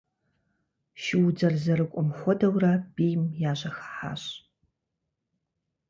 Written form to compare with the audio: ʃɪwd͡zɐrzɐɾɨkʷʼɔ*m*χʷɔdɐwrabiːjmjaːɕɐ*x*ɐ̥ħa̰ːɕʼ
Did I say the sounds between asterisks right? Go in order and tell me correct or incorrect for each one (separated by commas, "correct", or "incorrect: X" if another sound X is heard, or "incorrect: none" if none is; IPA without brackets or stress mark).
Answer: correct, correct